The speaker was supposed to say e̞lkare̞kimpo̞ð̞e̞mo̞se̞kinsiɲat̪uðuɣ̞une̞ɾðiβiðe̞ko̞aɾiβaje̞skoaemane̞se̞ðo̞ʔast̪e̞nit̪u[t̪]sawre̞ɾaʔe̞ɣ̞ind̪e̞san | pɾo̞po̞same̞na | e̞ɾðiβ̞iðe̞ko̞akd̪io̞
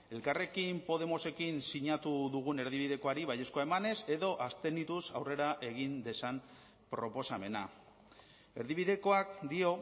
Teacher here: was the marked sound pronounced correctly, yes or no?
no